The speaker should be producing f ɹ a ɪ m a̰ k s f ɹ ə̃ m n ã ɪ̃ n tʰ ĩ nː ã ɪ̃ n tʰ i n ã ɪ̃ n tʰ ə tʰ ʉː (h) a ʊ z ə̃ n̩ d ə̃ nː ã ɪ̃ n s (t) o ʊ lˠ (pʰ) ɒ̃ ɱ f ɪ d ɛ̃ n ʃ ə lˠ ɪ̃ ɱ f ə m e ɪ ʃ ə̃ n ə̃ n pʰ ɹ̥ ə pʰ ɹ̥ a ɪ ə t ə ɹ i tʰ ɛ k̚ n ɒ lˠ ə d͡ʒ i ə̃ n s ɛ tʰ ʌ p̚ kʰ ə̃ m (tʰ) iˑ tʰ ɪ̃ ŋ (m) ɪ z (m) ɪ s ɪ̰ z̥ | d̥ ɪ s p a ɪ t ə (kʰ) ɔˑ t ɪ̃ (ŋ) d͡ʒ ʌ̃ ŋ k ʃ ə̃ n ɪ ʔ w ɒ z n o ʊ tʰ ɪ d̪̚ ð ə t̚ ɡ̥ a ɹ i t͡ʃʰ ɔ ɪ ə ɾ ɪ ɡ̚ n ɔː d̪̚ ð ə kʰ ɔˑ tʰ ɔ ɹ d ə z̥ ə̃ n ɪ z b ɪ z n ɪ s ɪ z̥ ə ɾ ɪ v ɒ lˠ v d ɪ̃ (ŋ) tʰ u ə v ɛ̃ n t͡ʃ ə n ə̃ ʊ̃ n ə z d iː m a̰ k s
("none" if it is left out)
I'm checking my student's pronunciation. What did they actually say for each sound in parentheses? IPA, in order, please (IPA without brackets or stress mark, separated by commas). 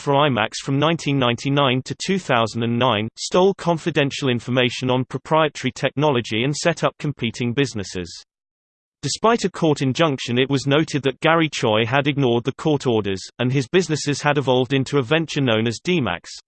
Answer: θ, t, kʰ, pʰ, b, n, kʰ, n, n